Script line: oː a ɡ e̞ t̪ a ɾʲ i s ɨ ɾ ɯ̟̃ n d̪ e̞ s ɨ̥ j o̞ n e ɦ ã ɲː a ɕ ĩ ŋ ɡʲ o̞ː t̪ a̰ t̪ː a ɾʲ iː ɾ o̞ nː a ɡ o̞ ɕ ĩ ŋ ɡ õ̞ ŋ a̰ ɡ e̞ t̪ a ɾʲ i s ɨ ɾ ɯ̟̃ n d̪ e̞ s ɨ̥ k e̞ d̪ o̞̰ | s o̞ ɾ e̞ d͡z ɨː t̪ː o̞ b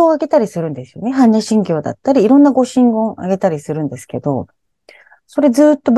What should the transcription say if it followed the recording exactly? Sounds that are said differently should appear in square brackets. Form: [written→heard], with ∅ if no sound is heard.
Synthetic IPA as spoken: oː a ɡ e̞ t̪ a ɾʲ i s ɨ ɾ ɯ̟̃ n d̪ e̞ s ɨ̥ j o̞ n e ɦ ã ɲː a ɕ ĩ ŋ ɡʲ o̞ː [t̪→d̪] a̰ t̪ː a ɾʲ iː ɾ [o̞→õ̞] nː a ɡ o̞ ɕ ĩ ŋ ɡ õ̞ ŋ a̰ ɡ e̞ t̪ a ɾʲ i s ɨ ɾ ɯ̟̃ n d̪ e̞ s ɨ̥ k e̞ d̪ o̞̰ | s o̞ ɾ e̞ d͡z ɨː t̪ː o̞ b